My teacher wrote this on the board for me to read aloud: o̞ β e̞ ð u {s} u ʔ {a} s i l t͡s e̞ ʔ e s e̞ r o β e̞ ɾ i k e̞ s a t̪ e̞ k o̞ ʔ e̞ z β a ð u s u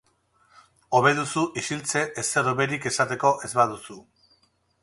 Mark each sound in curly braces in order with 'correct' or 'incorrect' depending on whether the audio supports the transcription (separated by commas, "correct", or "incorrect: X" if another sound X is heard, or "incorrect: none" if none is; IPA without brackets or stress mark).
correct, incorrect: i